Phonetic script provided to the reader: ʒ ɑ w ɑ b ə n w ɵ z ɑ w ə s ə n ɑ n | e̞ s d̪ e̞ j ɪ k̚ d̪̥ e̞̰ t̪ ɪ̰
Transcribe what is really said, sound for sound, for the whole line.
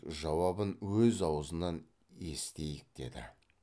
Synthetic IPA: ʒ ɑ w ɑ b ə n w ɵ z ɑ w ə z ə n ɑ n | e̞ s t̪ e̞ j ɪ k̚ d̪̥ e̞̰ d̪ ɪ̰

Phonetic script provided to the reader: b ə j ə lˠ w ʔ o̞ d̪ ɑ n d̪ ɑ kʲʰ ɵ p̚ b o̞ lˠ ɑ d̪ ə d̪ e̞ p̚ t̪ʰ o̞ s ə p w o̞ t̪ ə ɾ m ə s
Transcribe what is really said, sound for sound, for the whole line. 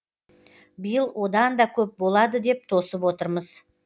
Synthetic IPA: b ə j ə lˠ w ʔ o̞ d̪ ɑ n d̪ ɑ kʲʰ ɵ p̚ b o̞ lˠ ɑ d̪ ə d̪ e̞ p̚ t̪ʰ o̞ s ə p w o̞ t̪ ə ɾ m ə z

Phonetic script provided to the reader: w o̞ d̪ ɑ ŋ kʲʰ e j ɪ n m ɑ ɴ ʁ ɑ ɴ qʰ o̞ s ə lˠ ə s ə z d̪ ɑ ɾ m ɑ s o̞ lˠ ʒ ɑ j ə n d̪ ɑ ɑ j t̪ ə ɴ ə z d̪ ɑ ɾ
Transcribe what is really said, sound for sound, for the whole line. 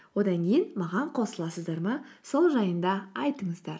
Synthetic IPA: w o̞ d̪ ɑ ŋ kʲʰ e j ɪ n m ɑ ʁ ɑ ɴ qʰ o̞ s ə lˠ ɑ s ə z d̪ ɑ ɾ m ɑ s o̞ lˠ ʒ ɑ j ə n d̪ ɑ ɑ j t̪ ə ɴ ə z d̪ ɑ ɾ

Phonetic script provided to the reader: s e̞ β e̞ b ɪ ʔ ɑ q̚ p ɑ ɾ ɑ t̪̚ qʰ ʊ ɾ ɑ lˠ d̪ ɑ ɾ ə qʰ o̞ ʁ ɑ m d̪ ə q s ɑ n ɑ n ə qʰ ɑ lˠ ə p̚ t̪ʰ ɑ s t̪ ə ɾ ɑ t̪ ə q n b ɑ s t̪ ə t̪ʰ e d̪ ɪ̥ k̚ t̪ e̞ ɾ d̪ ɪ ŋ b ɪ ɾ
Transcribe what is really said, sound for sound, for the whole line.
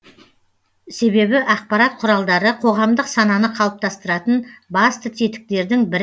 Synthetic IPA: s e̞ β e̞ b ɪ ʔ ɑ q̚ p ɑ ɾ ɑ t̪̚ qʰ ʊ ɾ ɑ lˠ d̪ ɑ ɾ ə qʰ o̞ ʁ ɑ m d̪ ə q s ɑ n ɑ n ə qʰ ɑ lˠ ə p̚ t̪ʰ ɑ s t̪ ə ɾ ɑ t̪ ə n b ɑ s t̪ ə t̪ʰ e t̪ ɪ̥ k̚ t̪ e̞ ɾ d̪ ɪ ŋ b ɪ ɾ

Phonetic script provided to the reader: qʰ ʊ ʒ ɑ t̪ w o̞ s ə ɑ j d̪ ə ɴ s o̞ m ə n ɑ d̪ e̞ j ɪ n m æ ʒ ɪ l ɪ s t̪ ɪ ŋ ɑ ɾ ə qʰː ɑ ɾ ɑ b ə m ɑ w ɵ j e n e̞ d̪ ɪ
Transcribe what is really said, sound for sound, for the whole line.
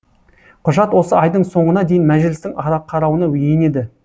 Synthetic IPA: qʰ ʊ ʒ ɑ t̪ w o̞ s ə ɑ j d̪ ə ɴ s o̞ ɴ ə n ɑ d̪ e̞ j ɪ n m æ ʒ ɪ l ɪ s t̪ ɪ ŋ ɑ ɾ ɑ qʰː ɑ ɾ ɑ w ə n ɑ w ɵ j e n e̞ d̪ ɪ

